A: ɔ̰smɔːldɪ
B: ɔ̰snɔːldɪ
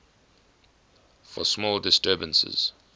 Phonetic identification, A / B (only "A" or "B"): A